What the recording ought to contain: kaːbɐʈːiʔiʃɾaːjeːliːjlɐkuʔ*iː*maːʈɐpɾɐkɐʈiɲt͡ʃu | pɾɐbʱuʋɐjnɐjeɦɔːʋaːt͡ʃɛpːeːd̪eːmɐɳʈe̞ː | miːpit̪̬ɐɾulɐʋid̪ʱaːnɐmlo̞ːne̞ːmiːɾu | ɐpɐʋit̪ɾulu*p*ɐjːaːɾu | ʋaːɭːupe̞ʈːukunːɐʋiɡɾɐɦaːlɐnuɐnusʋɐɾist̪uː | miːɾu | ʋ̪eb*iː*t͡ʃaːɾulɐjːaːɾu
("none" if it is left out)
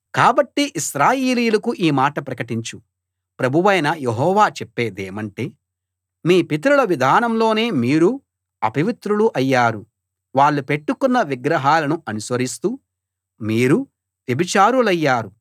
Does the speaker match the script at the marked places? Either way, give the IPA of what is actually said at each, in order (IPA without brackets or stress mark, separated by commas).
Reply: iː, ʔ, i